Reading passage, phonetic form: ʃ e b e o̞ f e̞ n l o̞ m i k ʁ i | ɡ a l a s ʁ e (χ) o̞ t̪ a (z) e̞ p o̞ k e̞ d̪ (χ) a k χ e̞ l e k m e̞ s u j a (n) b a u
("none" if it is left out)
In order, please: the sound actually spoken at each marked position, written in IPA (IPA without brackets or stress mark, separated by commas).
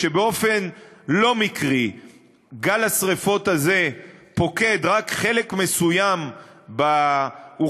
f, z, ʁ, m